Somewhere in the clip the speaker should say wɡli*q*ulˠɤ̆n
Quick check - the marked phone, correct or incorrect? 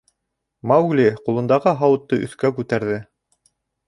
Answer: correct